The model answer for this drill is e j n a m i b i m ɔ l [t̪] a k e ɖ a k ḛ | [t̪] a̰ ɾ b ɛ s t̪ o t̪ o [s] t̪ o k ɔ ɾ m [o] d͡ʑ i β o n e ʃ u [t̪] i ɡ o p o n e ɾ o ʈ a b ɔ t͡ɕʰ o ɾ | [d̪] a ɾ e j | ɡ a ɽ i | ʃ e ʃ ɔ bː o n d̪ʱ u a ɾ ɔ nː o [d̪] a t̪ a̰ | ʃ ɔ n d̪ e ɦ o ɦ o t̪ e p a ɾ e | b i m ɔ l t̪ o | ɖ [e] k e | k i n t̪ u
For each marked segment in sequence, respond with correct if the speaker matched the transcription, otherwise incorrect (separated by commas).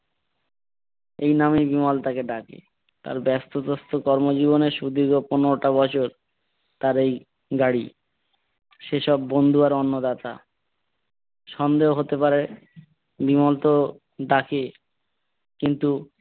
correct, correct, correct, correct, incorrect, incorrect, correct, incorrect